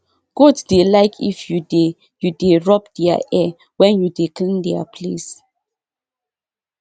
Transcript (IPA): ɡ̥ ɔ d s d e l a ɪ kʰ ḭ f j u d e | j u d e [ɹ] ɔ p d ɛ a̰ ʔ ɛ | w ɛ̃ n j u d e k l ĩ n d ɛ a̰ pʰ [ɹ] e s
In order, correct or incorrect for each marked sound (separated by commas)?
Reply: correct, incorrect